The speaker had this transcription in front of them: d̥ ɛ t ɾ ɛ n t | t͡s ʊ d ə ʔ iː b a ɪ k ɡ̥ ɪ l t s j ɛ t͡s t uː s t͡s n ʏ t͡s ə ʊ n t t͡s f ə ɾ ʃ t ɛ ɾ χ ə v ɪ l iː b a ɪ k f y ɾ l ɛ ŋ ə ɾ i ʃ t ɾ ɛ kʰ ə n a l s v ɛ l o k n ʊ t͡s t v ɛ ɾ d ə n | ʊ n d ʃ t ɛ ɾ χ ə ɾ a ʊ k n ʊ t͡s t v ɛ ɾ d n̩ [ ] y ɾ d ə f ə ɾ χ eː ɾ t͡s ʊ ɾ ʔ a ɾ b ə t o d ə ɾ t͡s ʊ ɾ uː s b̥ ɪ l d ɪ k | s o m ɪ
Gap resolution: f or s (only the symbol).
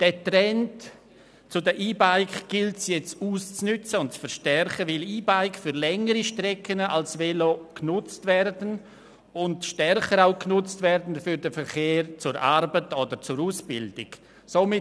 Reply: f